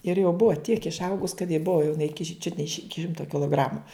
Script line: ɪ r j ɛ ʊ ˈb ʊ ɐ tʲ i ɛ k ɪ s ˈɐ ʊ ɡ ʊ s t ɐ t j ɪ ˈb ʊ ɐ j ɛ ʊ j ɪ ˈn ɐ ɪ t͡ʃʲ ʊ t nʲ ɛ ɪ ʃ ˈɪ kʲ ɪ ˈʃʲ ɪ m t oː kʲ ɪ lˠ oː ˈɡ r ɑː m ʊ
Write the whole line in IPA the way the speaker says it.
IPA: ɪ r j ɛ ʊ ˈb ʊ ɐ tʲ i ɛ k ɪ ʃ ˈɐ ʊ ɡ ʊ s k ɐ t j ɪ ˈb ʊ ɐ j ɛ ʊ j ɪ ˈn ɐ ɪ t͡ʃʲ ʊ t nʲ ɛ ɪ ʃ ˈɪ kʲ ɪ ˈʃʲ ɪ m t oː kʲ ɪ lˠ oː ˈɡ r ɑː m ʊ